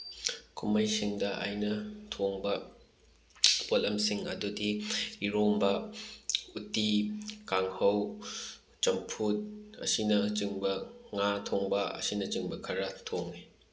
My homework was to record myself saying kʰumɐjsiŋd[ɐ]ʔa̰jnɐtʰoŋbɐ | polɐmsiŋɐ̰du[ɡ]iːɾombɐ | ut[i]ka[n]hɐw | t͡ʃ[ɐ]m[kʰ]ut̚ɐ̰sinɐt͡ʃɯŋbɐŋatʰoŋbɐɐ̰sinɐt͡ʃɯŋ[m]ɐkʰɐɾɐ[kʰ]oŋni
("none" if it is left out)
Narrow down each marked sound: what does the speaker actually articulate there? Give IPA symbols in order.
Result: ɐ, d, i, ŋ, ɐ, pʰ, b, tʰ

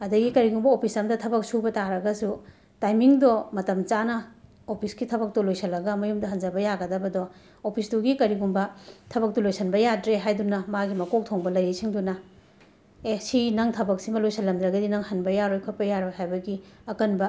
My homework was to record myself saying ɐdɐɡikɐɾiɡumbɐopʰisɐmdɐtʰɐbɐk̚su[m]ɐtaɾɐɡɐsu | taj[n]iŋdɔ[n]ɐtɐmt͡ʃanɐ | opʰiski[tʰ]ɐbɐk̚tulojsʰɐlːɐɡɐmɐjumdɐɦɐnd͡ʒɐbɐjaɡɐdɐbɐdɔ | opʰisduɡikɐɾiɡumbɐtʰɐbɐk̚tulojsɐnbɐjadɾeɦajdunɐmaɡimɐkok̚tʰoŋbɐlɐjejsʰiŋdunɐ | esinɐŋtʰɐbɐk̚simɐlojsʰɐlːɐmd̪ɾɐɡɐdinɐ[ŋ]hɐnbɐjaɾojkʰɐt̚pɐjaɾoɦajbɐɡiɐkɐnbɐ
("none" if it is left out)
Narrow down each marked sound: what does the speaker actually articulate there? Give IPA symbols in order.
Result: b, m, m, tʰ, ŋ

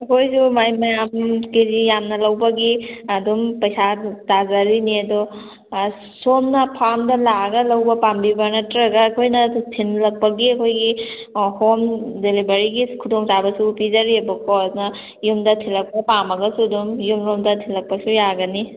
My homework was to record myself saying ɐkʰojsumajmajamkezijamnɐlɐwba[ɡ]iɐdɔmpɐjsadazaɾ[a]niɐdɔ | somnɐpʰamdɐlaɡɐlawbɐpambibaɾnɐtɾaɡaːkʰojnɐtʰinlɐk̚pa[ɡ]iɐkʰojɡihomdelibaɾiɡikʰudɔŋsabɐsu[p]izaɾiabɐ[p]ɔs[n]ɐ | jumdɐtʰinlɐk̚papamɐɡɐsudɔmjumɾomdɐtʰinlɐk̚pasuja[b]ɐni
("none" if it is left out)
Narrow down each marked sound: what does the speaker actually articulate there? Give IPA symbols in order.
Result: ɡ, i, ɡ, p, k, n, ɡ

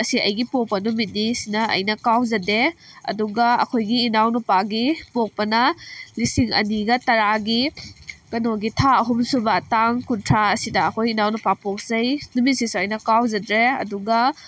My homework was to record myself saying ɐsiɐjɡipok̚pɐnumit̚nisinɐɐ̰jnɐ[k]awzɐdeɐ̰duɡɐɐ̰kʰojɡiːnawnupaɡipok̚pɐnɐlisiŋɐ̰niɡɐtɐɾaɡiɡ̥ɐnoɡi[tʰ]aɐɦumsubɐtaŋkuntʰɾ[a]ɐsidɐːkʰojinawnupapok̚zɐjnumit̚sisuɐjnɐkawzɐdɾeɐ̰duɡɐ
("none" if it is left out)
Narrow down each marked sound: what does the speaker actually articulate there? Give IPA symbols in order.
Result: k, tʰ, a

